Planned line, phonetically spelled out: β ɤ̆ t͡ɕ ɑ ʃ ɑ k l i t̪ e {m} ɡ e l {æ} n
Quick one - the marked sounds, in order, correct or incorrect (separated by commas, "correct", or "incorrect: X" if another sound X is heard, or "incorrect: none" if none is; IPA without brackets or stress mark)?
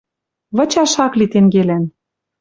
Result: incorrect: ŋ, correct